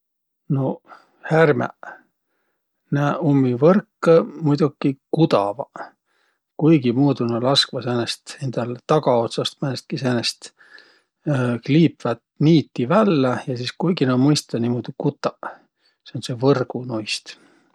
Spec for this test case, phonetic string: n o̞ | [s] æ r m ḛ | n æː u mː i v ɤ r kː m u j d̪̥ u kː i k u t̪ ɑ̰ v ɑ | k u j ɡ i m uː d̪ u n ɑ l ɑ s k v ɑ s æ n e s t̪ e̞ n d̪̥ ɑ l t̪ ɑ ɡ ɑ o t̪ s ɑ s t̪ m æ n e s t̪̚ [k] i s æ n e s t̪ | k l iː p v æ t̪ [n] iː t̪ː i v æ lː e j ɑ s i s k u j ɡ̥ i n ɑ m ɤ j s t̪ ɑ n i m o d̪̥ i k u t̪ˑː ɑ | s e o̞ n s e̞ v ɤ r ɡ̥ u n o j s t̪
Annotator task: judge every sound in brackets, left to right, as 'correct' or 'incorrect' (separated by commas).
incorrect, correct, correct